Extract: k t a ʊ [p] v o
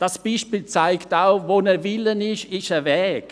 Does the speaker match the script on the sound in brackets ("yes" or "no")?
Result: no